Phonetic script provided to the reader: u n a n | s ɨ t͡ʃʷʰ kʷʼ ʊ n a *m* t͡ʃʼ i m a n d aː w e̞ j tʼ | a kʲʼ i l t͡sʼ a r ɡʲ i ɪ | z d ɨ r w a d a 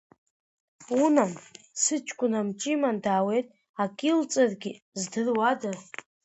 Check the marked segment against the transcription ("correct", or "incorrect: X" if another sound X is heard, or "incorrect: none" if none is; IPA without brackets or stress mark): correct